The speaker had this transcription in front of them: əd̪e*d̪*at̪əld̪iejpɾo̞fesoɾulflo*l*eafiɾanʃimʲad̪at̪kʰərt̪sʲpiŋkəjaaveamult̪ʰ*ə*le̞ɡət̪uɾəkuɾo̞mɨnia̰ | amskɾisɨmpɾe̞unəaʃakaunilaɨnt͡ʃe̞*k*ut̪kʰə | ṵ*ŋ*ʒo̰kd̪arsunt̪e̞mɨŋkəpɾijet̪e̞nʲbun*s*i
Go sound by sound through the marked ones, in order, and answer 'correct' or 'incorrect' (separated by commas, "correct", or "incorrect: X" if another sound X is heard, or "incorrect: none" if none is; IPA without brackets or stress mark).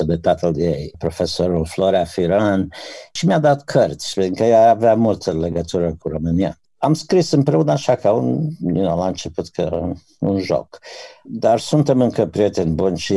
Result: incorrect: t̪, incorrect: ɾ, correct, incorrect: p, incorrect: n, incorrect: ʃ